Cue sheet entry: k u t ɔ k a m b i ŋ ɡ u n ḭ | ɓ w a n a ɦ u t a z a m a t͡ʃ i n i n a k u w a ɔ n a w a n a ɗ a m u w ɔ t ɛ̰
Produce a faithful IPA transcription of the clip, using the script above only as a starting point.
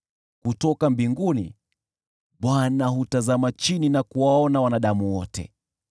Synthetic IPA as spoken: k u t ɔ k a m b i ŋ ɡ u n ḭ | ɓ w a n a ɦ u t a z a m a t͡ʃ i n i n a k u w a ɔ n a w a n a ɗ a m u w ɔ t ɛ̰